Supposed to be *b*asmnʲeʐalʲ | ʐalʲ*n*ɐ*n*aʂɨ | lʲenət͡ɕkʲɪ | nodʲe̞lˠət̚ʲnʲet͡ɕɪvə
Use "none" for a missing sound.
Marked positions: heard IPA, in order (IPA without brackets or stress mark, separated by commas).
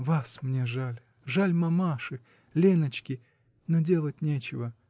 v, m, m